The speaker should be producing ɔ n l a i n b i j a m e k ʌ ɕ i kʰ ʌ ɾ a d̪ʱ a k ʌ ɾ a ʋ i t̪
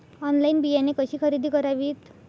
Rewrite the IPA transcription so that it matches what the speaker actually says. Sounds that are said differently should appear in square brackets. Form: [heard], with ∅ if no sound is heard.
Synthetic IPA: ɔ n l a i n b i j a [n] e k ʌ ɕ i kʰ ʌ ɾ [i] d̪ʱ [i] k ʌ ɾ a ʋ i t̪